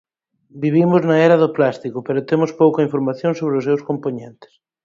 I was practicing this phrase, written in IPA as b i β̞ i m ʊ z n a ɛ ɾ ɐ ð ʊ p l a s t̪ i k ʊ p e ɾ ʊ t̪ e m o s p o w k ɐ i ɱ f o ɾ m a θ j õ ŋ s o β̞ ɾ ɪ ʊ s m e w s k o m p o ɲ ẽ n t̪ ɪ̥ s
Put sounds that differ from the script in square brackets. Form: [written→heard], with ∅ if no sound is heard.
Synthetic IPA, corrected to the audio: b i β̞ i m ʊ z n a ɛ ɾ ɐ ð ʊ p l a s t̪ i k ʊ p e ɾ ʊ t̪ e m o s p o w k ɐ i ɱ f o ɾ m a θ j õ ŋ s o β̞ ɾ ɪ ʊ s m e w s k o m p o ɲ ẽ n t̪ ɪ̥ s